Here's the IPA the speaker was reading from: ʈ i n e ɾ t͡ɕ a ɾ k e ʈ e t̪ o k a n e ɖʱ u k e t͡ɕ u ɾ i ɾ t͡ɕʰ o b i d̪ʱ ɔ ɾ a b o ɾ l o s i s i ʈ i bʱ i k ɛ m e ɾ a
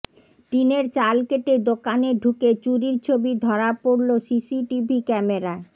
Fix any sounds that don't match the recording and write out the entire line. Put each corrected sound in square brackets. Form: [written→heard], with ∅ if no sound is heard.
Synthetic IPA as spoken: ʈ i n e ɾ t͡ɕ a [ɾ→l] k e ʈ e [t̪→d̪] o k a n e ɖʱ u k e t͡ɕ u ɾ i ɾ t͡ɕʰ o b i d̪ʱ ɔ ɾ a [b→p] o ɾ l o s i s i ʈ i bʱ i k ɛ m e ɾ a